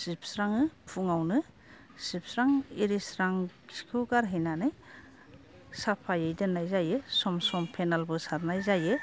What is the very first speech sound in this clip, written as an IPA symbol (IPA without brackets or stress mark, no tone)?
s